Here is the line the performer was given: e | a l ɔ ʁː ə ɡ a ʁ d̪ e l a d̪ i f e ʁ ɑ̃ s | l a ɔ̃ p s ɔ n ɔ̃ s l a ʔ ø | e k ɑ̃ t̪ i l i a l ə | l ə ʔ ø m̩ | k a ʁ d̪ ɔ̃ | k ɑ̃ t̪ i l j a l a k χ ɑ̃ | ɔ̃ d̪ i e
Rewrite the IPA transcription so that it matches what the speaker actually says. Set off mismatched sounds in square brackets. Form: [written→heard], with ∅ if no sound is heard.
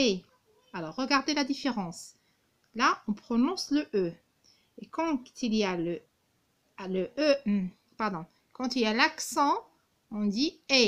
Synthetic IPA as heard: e | a l ɔ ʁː ə ɡ a ʁ d̪ e l a d̪ i f e ʁ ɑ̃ s | l a ɔ̃ p [s→χ] ɔ n ɔ̃ s l [a→ə] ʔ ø | e k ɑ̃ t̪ i l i a l ə | l ə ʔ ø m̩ | [k→p] a ʁ d̪ ɔ̃ | k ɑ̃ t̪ i l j a l a k [χ→s] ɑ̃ | ɔ̃ d̪ i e

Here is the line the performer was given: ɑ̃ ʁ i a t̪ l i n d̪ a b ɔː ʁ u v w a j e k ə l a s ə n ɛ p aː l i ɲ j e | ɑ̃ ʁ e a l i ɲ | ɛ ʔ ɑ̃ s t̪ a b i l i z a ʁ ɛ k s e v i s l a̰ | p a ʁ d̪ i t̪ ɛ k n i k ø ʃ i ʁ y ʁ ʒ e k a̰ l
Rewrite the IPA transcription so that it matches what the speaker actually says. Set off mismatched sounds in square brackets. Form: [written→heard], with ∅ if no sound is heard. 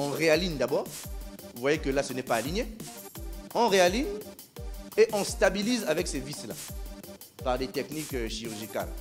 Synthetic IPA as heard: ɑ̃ ʁ [i→e] a [t̪→∅] l i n d̪ a b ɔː ʁ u v w a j e k ə l a s ə n ɛ p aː l i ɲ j e | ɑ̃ ʁ e a l i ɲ | [ɛ→e] ʔ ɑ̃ s t̪ a b i l i z a [ʁ→v] ɛ k s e v i s l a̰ | p a ʁ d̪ [i→e] t̪ ɛ k n i k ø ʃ i ʁ y ʁ ʒ [e→i] k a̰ l

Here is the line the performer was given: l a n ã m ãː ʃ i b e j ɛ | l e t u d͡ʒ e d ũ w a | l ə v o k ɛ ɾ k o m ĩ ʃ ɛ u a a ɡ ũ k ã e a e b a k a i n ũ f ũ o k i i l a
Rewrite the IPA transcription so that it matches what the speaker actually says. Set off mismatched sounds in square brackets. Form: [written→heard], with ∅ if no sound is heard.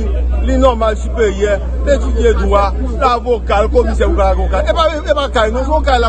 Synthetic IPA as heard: l [a→i] n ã m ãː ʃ i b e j ɛ | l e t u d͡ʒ e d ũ w a | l [ə→a] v o k [ɛ→a] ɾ k o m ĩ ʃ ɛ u a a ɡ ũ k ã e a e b a k a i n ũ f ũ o k [i→a] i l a

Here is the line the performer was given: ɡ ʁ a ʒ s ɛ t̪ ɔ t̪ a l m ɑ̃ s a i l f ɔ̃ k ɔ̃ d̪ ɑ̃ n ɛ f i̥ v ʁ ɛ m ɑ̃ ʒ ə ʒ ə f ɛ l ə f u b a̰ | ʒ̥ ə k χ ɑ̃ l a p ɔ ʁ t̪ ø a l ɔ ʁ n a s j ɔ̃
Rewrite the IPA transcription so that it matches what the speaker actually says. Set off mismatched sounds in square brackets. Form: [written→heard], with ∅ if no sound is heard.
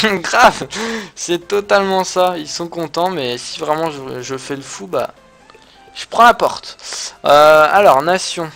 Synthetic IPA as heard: ɡ ʁ a [ʒ→v] s ɛ t̪ ɔ t̪ a l m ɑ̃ s a i l [f→s] ɔ̃ k ɔ̃ [d̪→t̪] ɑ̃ [n→m] ɛ [f→s] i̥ v ʁ ɛ m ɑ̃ ʒ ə ʒ ə f ɛ l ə f u b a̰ | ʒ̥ ə [k→p] χ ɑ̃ l a p ɔ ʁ t̪ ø a l ɔ ʁ n a s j ɔ̃

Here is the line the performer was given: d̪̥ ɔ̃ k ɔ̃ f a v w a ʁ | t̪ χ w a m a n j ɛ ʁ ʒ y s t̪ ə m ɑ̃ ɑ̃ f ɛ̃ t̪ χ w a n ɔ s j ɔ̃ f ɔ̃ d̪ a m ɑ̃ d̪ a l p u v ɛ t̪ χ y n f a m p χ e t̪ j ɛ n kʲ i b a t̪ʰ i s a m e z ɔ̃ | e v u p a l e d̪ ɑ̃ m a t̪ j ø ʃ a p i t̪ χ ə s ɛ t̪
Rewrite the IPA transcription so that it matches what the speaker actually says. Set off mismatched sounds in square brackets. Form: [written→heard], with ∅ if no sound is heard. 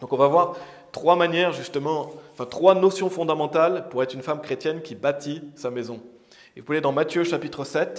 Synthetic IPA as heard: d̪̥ ɔ̃ k ɔ̃ [f→v] a v w a ʁ | t̪ χ w a m a n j ɛ ʁ ʒ y s t̪ ə m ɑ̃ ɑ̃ f ɛ̃ t̪ χ w a n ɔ s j ɔ̃ f ɔ̃ d̪ a m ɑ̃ [d̪→t̪] a l p u [v→ʁ] ɛ t̪ χ y n f a m [p→k] χ e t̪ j ɛ n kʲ i b a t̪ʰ i s a m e z ɔ̃ | e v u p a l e d̪ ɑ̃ m a t̪ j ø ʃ a p i t̪ χ ə s ɛ t̪

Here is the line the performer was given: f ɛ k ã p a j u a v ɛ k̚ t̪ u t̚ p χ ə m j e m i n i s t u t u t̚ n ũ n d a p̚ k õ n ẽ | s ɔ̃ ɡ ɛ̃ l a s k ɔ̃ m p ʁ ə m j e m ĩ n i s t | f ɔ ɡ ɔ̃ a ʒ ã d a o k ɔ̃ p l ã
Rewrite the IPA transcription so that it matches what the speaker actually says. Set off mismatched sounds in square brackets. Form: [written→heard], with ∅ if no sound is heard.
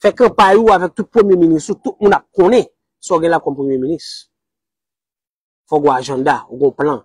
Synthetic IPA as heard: f ɛ k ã p a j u a v ɛ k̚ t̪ u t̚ p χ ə m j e m i n i s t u t u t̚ [n→m] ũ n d a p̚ k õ n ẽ | s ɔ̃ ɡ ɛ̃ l a [s→∅] k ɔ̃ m p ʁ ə m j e m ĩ n i s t | f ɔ ɡ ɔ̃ a ʒ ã d a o [k→ɡ] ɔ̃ p l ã

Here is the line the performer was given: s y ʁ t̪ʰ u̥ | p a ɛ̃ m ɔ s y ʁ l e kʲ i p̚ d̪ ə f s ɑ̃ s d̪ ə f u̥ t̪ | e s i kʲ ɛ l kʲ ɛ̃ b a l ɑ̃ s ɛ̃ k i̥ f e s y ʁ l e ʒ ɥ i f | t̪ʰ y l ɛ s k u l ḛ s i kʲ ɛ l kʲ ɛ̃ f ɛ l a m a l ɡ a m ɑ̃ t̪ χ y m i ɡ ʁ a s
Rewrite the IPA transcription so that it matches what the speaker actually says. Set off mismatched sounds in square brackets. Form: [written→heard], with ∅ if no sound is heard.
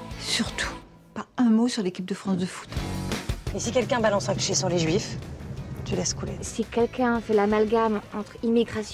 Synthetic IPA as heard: s y ʁ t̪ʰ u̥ | p a ɛ̃ m [ɔ→o] s y ʁ l e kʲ i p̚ d̪ ə f [s→χ] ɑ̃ s d̪ ə f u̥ t̪ | e s i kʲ ɛ l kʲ ɛ̃ b a l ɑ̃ s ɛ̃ k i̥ [f→ʃ] e s y ʁ l e ʒ ɥ i f | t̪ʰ y l ɛ s k u l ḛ s i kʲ ɛ l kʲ ɛ̃ f ɛ l a m a l ɡ a m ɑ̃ t̪ χ [y→i] m i ɡ ʁ a s

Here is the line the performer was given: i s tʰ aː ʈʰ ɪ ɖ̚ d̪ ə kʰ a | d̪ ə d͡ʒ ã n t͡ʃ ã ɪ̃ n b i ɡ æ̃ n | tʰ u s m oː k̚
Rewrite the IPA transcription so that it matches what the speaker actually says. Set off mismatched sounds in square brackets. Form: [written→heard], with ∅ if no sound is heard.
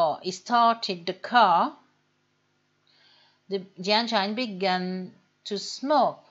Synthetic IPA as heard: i s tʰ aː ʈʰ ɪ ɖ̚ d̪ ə kʰ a | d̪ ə d͡ʒ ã n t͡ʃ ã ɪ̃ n b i ɡ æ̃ n | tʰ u s m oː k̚

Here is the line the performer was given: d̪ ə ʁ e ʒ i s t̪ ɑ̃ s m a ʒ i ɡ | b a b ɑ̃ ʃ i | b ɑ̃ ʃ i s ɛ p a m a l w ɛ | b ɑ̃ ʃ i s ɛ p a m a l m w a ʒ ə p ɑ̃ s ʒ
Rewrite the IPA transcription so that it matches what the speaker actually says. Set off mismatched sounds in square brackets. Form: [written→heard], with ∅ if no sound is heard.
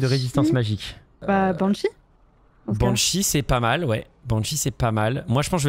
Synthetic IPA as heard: d̪ ə ʁ e [ʒ→z] i s t̪ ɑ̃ s m a ʒ i [ɡ→k] | b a b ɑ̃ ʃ i | b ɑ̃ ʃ i s ɛ p a m a l w ɛ | b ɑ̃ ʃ i s ɛ p a m a l m w a ʒ ə p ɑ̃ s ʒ

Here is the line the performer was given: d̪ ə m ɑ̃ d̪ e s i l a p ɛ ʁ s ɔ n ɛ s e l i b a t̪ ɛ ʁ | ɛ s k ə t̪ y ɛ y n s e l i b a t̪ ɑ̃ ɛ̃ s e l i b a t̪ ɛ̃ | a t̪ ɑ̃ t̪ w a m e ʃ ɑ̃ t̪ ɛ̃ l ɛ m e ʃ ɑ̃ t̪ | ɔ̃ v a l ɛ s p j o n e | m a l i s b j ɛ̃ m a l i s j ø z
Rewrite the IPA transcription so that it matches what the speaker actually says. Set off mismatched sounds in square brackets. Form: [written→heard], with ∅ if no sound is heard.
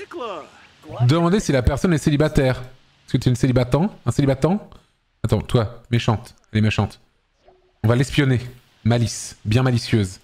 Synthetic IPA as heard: d̪ ə m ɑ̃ d̪ e s i l a p ɛ ʁ s ɔ n ɛ s e l i b a t̪ ɛ ʁ | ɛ s k ə t̪ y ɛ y n s e l i b a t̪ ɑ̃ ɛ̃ s e l i b a t̪ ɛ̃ | a t̪ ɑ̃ t̪ w a m e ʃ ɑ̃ t̪ [ɛ̃→ɛ] l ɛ m e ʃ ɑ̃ t̪ | ɔ̃ v a l ɛ s p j [o→ɔ] n e | m a l i s b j ɛ̃ m a l i s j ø z

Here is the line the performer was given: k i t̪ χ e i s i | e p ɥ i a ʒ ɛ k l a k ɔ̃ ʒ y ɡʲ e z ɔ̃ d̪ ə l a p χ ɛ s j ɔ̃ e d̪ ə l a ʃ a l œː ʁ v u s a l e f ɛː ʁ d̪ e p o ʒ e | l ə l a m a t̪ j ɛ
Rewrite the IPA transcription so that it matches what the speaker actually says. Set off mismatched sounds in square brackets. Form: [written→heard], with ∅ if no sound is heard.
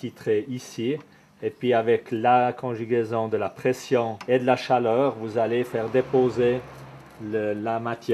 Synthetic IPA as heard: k i t̪ χ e i s i | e p ɥ i a [ʒ→v] ɛ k l a k ɔ̃ ʒ y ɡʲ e z ɔ̃ d̪ ə l a p χ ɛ s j ɔ̃ e d̪ ə l a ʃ a l œː ʁ v u [s→z] a l e f ɛː ʁ d̪ e p o [ʒ→z] e | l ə l a m a t̪ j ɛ

